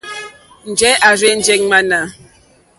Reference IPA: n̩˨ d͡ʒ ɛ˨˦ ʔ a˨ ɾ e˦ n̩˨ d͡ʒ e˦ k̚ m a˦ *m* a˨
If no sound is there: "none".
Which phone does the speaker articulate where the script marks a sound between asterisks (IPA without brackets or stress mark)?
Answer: n